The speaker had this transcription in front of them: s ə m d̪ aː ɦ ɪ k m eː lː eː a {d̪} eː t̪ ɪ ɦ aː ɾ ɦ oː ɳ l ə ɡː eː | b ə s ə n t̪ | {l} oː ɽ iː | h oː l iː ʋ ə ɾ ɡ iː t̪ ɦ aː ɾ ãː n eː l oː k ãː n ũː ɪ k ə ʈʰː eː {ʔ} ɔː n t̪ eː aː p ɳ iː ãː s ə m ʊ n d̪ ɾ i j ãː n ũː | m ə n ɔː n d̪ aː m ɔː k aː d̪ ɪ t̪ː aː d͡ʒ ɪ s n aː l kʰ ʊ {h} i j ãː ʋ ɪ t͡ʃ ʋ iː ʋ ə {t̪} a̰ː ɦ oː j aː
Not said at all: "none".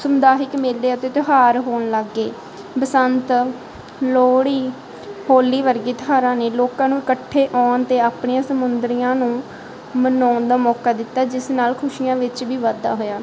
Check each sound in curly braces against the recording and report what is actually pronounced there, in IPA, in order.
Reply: t̪, l, ʔ, ʃ, d̪

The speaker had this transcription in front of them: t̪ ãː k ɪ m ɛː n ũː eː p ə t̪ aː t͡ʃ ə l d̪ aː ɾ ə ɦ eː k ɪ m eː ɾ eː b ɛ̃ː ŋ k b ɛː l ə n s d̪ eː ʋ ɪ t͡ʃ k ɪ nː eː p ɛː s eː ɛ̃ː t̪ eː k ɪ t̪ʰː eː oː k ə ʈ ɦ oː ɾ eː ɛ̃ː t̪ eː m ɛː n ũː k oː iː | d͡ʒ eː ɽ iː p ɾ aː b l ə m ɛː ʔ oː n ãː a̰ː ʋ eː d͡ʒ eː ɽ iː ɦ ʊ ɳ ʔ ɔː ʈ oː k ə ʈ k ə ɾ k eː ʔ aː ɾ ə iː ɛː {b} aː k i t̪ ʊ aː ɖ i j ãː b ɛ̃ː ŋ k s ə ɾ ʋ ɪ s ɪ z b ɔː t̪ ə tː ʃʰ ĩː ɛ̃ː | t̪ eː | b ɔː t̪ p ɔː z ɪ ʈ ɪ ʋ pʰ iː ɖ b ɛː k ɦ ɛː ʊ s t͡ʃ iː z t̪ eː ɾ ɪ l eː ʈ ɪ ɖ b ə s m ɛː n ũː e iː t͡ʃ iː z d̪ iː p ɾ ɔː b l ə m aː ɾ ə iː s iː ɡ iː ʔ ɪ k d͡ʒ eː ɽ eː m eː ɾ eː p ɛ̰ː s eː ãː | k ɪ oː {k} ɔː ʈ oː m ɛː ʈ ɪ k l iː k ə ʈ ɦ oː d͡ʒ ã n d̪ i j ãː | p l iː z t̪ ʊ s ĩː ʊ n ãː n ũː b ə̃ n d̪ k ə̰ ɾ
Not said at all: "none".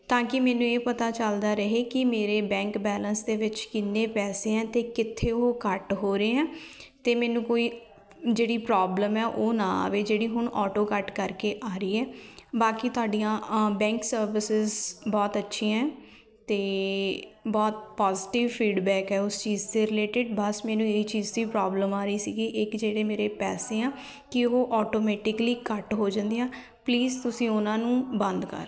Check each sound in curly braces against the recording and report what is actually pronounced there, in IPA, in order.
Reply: b, ʔ

